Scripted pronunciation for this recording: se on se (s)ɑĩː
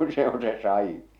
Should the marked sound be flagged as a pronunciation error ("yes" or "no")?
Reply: no